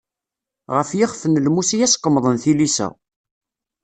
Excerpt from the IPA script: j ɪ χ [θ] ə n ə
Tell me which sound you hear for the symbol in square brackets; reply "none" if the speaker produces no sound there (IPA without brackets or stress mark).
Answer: f